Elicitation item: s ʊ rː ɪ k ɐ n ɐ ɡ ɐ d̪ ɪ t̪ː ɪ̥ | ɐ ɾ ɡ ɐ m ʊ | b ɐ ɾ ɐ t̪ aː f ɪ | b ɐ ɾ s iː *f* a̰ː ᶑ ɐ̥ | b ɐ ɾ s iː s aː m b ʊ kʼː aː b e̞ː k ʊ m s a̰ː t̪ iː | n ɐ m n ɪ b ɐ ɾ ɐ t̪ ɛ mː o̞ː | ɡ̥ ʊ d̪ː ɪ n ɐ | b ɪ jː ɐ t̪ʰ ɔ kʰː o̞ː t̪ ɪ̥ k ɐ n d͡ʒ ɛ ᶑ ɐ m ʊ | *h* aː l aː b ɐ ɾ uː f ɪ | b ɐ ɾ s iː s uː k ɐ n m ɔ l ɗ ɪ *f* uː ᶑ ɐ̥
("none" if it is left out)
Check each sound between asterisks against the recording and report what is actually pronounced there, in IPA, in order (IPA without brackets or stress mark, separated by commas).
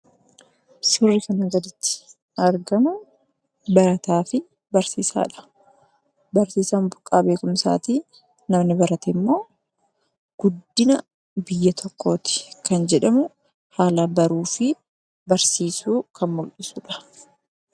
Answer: s, h, s